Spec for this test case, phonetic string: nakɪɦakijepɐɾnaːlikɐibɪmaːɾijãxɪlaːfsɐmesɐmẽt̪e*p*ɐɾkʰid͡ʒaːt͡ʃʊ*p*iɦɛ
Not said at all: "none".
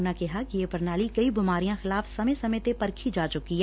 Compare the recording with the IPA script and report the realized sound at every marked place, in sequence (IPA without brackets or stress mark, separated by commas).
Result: p, k